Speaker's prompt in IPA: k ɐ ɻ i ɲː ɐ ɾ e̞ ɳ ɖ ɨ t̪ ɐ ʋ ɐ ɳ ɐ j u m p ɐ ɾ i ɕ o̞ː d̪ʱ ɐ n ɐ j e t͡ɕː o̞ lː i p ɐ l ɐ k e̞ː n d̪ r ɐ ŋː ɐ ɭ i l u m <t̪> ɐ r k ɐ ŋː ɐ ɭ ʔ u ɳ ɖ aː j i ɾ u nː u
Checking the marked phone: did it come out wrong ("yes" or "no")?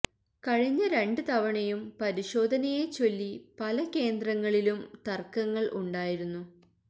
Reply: no